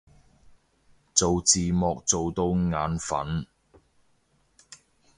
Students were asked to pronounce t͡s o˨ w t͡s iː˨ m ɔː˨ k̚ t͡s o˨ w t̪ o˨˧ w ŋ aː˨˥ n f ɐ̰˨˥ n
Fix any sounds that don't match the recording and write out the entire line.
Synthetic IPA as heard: t͡s o˨ w t͡s iː˨ m ɔː˨ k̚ t͡s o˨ w t̪ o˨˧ w ŋ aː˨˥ n f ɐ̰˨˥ n